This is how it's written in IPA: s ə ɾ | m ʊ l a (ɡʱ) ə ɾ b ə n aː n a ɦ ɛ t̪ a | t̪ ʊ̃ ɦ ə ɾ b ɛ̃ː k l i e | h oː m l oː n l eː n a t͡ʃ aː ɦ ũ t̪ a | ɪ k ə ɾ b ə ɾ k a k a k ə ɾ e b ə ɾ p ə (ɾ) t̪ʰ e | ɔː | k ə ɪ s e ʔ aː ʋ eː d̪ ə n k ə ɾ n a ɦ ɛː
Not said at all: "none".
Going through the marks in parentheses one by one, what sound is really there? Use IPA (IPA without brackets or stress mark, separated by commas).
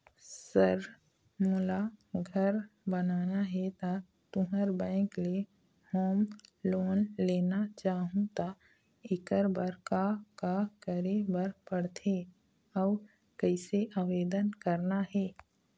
ɡʱ, ɽ